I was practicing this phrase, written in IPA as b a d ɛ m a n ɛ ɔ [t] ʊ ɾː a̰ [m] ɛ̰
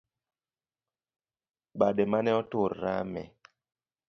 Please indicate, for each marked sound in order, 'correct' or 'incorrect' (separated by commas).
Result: correct, correct